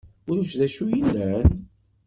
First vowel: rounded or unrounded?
rounded